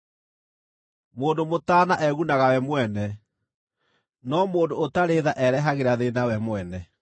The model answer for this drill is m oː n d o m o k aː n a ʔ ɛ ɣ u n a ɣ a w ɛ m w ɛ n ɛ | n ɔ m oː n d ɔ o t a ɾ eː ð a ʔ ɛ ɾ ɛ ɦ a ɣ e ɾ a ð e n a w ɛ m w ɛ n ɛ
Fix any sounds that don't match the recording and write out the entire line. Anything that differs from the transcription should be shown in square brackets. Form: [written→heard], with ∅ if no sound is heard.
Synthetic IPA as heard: m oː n d o m o [k→t] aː n a ʔ ɛ ɣ u n a ɣ a w ɛ m w ɛ n ɛ | n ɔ m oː n d [ɔ→o] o t a ɾ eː ð a ʔ ɛ ɾ ɛ ɦ a ɣ e ɾ a ð e n a w ɛ m w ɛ n ɛ